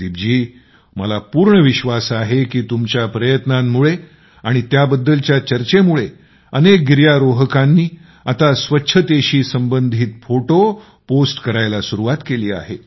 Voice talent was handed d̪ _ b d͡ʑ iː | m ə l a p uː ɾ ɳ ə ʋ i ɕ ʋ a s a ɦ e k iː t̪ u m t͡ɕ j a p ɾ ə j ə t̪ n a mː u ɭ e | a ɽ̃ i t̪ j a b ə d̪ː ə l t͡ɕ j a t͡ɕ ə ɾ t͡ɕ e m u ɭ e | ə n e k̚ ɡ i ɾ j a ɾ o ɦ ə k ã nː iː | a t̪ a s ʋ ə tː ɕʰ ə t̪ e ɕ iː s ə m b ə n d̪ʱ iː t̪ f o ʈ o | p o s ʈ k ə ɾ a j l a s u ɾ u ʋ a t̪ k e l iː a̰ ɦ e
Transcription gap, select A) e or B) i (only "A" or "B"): B